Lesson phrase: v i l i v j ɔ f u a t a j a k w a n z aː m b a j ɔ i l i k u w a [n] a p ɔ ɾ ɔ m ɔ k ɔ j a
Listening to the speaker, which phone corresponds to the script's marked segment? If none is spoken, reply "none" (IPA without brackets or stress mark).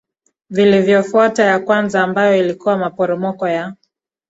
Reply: m